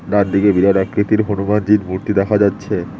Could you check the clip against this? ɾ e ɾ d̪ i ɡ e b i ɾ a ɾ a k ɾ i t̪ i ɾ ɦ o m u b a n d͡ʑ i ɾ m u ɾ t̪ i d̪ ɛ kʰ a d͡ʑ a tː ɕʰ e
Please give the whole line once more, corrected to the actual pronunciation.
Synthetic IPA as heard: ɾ a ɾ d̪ i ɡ e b i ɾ a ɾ a k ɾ i t̪ i ɾ ɦ o n u m a n d͡ʑ i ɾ m u ɾ t̪ i d̪ ɛ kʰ a d͡ʑ a tː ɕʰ e